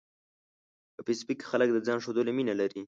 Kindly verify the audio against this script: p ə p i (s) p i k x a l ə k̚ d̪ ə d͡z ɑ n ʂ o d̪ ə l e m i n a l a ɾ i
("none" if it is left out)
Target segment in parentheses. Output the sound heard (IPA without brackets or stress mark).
s